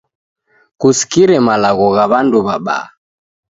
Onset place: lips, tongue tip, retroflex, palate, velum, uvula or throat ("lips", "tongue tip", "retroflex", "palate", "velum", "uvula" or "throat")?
velum